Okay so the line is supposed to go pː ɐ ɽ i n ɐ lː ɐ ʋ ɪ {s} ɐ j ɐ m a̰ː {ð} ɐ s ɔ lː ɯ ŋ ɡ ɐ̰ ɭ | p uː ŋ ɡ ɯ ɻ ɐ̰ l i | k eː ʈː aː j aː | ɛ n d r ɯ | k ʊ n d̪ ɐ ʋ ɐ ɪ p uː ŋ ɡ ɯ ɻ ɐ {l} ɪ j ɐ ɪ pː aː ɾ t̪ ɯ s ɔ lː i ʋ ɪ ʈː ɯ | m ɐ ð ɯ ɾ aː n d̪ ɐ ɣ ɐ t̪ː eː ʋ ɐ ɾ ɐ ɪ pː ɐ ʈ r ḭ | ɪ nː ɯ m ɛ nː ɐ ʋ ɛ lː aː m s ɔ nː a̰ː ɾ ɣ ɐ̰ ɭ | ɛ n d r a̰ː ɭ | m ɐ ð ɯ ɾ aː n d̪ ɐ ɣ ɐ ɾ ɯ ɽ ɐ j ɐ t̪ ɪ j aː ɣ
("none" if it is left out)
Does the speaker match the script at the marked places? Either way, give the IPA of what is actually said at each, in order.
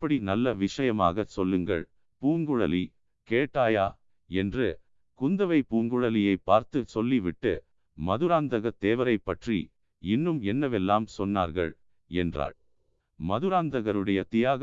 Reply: ʂ, ɣ, l

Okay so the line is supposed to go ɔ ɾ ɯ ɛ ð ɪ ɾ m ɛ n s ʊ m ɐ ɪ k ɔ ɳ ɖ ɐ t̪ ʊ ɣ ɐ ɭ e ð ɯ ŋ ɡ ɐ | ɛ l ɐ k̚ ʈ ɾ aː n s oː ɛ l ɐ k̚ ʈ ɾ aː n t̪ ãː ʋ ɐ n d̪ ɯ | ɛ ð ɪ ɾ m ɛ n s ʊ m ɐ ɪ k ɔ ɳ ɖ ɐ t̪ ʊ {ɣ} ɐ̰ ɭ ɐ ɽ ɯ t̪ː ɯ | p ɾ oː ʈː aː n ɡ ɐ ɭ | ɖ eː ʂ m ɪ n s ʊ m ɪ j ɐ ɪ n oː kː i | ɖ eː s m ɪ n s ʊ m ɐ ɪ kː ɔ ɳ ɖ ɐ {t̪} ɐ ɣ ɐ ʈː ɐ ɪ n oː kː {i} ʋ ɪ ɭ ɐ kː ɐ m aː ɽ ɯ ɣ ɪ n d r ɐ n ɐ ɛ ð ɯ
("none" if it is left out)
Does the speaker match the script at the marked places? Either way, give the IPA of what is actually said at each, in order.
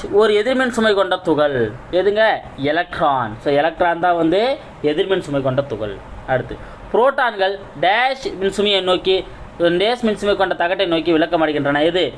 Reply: ɣ, t̪, i

